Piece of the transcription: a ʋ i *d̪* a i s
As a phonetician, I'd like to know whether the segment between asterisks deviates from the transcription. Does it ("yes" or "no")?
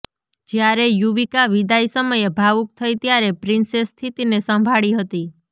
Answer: no